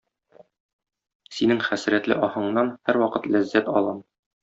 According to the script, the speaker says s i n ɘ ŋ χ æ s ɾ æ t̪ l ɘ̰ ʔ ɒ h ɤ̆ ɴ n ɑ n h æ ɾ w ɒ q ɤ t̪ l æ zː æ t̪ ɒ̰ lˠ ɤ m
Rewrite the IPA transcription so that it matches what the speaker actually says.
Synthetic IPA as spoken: s i n ɘ ŋ χ æ s ɾ æ t̪ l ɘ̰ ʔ ɒ h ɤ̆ ɴ n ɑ n h æ ɾ w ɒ q ɤ t̪ l æ zː æ t̪ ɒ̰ lˠ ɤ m